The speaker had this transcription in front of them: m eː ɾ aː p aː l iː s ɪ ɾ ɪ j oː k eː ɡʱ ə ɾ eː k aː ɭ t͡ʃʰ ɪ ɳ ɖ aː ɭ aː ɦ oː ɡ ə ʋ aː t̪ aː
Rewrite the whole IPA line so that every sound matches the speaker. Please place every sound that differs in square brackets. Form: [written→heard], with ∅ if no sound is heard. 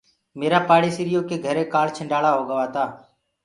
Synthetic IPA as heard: m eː ɾ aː p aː [l→ɽ] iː s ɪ ɾ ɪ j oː k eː ɡʱ ə ɾ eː k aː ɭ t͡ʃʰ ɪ ɳ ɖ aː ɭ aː ɦ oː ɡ ə ʋ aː t̪ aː